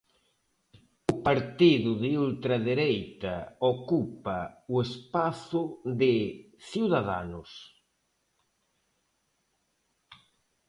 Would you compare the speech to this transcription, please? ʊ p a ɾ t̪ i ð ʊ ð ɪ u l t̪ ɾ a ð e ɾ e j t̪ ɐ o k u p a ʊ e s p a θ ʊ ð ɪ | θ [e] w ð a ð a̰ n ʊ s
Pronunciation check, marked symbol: incorrect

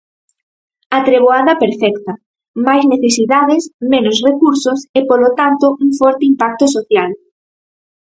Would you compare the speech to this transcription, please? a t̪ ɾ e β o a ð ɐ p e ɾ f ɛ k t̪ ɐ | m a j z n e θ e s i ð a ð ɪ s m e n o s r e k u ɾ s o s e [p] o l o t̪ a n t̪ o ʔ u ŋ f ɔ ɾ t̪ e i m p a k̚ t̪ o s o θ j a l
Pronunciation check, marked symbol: correct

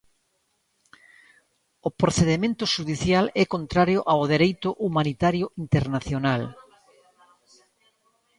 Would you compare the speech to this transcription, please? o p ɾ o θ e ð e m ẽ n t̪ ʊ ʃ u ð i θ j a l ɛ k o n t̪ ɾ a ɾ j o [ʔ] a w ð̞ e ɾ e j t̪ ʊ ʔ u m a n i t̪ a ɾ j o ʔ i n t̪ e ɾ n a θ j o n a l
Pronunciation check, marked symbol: correct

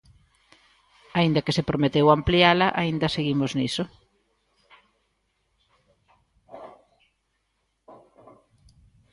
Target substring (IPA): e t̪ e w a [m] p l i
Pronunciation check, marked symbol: correct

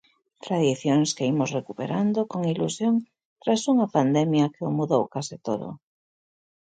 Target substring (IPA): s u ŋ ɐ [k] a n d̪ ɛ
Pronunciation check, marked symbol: incorrect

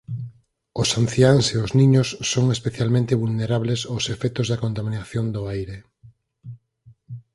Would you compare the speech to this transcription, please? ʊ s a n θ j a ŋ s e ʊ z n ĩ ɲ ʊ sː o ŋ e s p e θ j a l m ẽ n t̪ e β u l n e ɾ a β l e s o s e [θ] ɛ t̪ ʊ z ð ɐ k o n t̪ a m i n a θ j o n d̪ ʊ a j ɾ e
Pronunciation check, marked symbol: incorrect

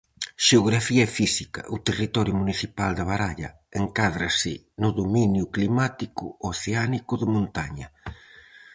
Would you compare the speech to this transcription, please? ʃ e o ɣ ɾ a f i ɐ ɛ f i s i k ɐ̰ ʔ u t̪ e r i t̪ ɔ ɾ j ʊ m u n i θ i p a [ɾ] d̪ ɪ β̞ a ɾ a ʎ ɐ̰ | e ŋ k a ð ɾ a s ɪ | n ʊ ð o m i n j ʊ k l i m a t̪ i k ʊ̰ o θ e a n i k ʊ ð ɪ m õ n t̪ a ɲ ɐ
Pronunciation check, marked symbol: incorrect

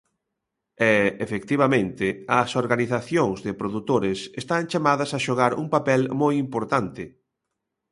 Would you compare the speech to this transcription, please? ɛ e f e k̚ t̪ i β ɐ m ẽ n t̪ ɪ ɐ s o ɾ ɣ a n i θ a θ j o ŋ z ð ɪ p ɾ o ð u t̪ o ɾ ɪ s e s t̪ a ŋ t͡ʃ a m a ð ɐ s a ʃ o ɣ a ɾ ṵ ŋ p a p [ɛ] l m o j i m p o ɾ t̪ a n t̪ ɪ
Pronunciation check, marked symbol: correct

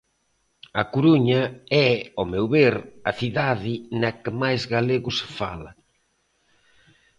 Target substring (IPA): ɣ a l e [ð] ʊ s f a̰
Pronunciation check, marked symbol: incorrect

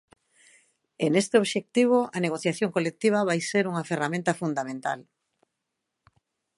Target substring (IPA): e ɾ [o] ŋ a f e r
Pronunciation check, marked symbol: incorrect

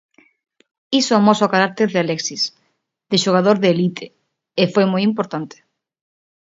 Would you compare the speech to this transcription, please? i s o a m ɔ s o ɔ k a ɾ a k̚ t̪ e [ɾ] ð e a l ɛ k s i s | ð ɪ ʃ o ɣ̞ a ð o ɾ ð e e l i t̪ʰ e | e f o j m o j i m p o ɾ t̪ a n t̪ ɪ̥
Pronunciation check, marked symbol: correct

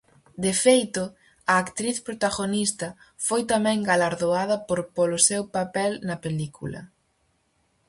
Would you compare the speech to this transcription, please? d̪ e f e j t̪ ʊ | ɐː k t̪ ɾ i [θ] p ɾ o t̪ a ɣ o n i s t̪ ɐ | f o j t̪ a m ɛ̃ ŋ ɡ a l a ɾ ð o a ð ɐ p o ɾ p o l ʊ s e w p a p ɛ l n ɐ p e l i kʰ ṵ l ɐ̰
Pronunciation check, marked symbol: correct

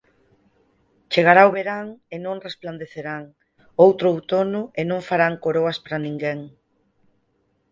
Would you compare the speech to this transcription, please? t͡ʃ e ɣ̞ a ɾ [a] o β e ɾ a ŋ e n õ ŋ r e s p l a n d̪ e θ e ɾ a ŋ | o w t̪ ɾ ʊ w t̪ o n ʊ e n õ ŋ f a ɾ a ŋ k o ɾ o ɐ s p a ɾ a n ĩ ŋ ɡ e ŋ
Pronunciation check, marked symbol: correct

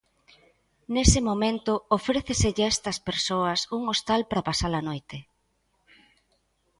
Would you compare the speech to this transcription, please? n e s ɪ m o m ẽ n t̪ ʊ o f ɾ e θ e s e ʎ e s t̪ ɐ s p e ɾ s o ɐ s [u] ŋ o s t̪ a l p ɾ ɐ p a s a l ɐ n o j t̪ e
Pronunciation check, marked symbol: correct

